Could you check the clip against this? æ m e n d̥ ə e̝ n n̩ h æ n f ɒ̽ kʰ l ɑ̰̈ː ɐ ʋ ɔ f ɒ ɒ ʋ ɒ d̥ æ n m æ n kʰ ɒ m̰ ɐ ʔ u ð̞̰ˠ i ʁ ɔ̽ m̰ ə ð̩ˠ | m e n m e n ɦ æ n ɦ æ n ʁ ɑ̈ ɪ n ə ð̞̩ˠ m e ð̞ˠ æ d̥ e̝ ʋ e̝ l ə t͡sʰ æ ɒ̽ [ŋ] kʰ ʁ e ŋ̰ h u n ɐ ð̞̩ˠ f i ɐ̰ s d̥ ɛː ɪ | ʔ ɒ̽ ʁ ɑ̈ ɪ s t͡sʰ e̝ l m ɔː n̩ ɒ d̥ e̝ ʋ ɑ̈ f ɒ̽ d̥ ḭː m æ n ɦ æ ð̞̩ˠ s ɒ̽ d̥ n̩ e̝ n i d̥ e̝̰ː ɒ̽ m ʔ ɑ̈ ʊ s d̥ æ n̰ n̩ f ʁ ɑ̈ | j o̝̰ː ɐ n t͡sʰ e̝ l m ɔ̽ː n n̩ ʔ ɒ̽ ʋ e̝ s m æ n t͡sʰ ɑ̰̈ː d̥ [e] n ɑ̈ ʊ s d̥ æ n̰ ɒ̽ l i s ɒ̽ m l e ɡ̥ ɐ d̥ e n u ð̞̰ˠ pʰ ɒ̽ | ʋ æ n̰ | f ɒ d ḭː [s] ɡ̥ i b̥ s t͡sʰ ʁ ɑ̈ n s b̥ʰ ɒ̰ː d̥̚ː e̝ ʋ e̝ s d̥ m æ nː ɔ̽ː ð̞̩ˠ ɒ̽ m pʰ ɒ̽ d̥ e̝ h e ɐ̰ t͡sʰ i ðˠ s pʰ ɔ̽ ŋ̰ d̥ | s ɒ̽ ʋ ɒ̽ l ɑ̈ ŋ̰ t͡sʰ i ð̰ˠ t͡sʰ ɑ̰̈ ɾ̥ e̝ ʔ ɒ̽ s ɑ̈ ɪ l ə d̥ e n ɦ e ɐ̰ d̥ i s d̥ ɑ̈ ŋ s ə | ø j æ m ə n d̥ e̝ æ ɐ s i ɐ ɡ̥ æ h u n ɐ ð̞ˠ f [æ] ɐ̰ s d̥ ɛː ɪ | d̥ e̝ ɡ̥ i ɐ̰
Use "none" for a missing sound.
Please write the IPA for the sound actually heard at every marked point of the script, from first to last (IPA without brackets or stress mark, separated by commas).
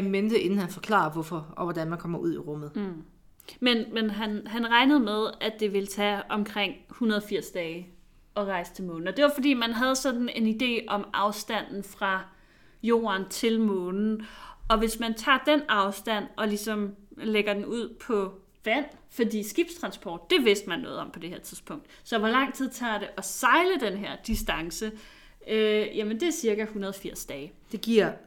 m, e, s, i